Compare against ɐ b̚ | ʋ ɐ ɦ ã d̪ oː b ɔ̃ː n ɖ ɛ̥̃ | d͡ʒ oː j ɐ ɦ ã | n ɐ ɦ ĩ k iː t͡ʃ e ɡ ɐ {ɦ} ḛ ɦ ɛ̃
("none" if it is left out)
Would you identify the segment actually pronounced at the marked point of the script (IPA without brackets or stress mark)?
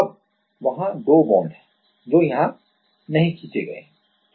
none